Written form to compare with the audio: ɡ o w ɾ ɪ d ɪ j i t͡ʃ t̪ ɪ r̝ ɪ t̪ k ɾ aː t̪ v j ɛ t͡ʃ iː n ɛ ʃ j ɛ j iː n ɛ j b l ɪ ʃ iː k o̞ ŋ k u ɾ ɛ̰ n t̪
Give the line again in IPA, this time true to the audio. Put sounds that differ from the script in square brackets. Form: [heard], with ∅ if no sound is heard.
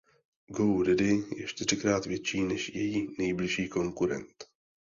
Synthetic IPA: ɡ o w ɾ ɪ d ɪ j [ɛ] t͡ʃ t̪ ɪ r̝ ɪ [∅] k ɾ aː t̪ v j ɛ t͡ʃ iː n ɛ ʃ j ɛ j iː n ɛ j b l ɪ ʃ iː k o̞ ŋ k u ɾ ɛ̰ n t̪